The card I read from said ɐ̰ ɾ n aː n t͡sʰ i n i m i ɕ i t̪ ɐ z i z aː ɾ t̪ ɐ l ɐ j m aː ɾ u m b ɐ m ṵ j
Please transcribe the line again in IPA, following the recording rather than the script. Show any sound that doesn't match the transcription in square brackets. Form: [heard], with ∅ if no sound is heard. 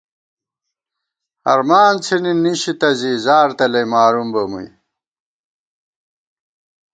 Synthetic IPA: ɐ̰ ɾ [m] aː n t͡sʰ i n i [n] i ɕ i t̪ ɐ z i z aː ɾ t̪ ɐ l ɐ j m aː ɾ u m b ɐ m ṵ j